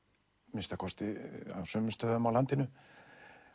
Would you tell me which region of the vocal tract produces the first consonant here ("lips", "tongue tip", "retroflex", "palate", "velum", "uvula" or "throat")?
lips